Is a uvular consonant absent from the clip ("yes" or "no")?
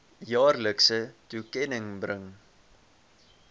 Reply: yes